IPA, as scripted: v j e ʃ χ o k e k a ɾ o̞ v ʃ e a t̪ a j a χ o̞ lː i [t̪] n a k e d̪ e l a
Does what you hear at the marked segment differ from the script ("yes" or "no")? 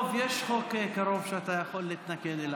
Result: no